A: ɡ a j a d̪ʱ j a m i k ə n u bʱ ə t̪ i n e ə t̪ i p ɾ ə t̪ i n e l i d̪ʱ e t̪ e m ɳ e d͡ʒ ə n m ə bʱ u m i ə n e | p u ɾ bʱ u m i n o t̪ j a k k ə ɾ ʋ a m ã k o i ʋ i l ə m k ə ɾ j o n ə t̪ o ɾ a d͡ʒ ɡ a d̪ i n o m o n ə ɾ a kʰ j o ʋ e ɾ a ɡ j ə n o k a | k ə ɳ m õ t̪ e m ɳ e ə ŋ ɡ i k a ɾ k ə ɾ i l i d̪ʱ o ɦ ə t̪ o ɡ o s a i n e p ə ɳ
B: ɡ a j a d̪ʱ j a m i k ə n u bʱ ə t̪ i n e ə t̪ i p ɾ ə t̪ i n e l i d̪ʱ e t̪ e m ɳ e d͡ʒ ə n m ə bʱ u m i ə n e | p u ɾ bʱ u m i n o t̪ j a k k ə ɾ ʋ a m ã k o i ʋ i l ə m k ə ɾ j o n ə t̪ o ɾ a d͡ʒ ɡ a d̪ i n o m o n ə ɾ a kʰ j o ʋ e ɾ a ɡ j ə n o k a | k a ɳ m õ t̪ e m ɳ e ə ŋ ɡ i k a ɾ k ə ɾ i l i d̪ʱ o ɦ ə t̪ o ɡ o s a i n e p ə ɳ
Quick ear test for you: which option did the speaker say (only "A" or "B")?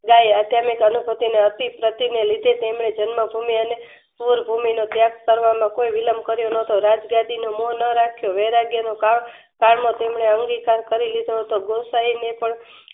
B